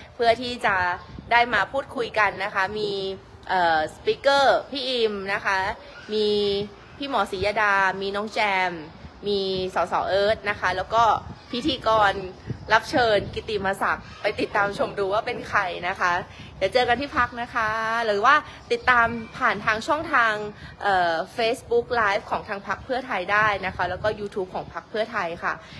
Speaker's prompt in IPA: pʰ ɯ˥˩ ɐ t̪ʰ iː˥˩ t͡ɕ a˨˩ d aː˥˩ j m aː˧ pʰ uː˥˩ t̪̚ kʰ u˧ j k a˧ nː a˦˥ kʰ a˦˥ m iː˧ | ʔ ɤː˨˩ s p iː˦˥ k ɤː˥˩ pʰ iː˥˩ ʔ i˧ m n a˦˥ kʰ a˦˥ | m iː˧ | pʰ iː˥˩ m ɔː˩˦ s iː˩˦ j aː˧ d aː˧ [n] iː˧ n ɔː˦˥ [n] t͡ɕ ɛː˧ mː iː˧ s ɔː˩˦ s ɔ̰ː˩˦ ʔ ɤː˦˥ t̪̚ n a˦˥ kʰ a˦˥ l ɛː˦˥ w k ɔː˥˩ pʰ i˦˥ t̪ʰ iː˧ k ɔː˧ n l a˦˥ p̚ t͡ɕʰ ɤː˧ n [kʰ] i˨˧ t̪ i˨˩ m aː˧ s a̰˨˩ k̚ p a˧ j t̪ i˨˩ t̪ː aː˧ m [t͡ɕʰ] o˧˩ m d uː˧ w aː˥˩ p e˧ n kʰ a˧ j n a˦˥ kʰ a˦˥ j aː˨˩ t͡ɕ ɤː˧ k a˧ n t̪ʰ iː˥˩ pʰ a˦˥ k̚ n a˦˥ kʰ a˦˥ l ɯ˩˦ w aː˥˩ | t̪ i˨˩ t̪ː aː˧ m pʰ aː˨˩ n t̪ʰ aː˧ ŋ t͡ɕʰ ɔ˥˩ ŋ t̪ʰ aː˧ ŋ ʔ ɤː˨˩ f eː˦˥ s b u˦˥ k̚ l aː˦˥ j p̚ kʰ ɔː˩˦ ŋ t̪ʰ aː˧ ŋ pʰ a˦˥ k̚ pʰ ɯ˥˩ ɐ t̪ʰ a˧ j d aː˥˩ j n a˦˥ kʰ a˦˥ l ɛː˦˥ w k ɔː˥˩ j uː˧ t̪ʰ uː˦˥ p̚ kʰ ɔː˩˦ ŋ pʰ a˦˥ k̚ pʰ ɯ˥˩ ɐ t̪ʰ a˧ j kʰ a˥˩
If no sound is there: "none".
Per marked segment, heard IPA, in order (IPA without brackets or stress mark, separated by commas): m, ŋ, k, t͡ɕʰ